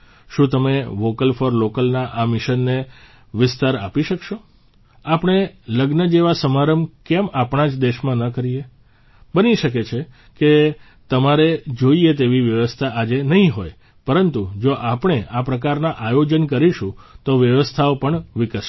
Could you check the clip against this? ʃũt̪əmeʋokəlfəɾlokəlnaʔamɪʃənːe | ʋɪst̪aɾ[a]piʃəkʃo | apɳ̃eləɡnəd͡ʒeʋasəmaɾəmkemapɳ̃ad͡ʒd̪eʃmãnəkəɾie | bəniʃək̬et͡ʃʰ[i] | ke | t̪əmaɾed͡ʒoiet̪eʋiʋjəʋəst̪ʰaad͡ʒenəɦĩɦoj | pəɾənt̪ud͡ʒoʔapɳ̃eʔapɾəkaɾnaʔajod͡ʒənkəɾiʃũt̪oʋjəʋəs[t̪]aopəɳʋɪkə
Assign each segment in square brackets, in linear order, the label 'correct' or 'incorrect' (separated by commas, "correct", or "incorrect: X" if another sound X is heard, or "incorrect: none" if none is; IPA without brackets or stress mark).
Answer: correct, incorrect: e, incorrect: t̪ʰ